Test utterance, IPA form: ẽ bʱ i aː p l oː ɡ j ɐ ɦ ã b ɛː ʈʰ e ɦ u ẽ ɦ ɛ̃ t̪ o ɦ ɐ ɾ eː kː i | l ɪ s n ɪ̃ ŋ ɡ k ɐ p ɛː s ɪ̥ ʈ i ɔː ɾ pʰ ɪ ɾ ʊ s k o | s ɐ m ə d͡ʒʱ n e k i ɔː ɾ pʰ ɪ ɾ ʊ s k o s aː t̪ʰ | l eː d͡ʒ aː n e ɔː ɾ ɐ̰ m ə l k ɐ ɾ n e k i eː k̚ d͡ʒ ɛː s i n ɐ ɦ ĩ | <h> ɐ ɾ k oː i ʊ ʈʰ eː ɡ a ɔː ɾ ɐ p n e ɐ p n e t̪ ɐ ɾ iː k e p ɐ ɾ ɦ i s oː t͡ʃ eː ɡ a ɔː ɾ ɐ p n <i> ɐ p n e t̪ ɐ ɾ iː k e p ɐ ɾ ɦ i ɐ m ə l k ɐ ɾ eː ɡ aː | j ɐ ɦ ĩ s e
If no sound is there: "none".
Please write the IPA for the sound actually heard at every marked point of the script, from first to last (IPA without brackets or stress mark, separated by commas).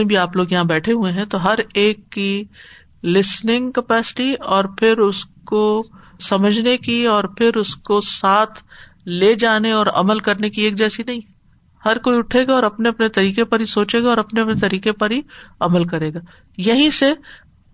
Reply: h, e